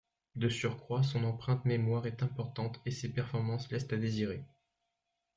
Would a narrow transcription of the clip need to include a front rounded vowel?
yes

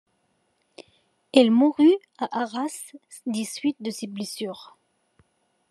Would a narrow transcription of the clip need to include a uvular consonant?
yes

